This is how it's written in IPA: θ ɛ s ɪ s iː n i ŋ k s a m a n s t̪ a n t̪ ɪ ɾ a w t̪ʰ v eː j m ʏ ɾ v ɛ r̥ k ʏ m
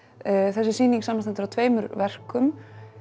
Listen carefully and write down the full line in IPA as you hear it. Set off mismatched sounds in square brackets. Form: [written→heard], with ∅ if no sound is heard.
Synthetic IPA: θ ɛ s ɪ s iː n i ŋ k s a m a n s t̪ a n t̪ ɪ ɾ a w t̪ʰ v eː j m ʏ ɾ v ɛ r̥ k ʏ m